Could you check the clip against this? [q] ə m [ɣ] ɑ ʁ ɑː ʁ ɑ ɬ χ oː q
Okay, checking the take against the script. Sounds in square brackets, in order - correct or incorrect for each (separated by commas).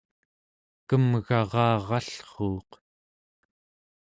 incorrect, correct